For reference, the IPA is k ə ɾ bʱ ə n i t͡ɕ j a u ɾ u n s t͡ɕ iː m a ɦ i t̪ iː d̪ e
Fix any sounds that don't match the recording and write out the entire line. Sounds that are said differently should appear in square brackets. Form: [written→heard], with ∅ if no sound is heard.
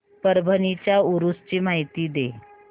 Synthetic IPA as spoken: [k→p] ə ɾ bʱ ə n i t͡ɕ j a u ɾ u [n→∅] s t͡ɕ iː m a ɦ i t̪ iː d̪ e